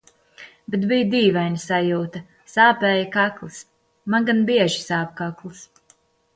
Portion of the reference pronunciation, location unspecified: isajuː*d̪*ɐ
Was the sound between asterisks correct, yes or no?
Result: no